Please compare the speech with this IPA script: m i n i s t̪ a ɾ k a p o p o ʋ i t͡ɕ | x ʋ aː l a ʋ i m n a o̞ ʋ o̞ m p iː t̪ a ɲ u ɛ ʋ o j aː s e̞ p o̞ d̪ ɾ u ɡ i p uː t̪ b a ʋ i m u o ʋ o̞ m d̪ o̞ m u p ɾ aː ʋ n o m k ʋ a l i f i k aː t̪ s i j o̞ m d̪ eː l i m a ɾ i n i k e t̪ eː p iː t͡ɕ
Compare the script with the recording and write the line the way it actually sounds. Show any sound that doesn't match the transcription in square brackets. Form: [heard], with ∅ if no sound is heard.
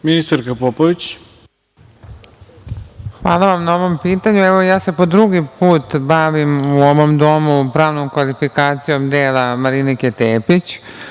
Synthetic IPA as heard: m i n i s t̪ a ɾ k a p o p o ʋ i t͡ɕ | x ʋ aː l a ʋ [a] m n a o̞ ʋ o̞ m p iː t̪ a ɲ u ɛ ʋ o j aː s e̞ p o̞ d̪ ɾ u ɡ i p uː t̪ b a ʋ i m u o ʋ o̞ m d̪ o̞ m u p ɾ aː ʋ n o m k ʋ a l i f i k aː t̪ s i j o̞ m d̪ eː l [a] m a ɾ i n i k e t̪ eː p [i] t͡ɕ